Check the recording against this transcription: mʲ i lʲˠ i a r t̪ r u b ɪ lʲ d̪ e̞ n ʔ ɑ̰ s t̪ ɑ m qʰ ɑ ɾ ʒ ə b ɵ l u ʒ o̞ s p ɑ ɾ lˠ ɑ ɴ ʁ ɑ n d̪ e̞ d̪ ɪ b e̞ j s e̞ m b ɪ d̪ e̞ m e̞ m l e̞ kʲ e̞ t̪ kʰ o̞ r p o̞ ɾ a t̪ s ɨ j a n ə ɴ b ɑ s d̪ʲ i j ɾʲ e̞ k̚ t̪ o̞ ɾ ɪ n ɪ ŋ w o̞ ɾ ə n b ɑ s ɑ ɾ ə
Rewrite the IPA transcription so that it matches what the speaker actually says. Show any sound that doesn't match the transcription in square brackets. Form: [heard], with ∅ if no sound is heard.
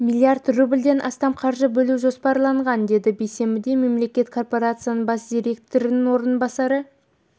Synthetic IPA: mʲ i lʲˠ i a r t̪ r u b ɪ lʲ d̪ e̞ n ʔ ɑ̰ s t̪ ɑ m qʰ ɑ ɾ ʒ ə b ɵ l u ʒ o̞ s p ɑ ɾ lˠ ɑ ɴ ʁ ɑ n d̪ e̞ d̪ ɪ b e̞ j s e̞ m b ɪ d̪ e̞ m e̞ m l e̞ kʲ e̞ t̪ kʰ o̞ r p o̞ ɾ a t̪ s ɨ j a n ə ɴ b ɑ s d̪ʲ i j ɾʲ e̞ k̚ t̪ o̞ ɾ ɪ n ɪ ŋ w o̞ ɾ ə n b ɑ s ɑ ɾ ə